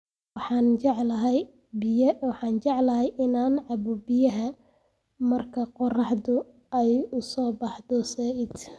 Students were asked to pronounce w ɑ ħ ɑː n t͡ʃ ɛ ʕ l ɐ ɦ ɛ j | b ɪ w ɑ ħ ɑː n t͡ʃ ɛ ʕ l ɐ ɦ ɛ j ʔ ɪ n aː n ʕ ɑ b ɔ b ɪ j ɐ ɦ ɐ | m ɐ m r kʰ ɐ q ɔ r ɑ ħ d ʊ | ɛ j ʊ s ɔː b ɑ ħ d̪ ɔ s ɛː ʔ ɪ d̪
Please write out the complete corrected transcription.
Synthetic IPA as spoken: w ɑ ħ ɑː n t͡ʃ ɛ ʕ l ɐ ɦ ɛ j | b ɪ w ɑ ħ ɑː n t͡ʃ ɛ ʕ l ɐ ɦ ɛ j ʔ ɪ n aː n ʕ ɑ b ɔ b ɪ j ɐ ɦ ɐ | m ɐ r kʰ ɐ q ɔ r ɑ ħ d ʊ | ɛ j ʊ s ɔː b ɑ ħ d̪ ɔ s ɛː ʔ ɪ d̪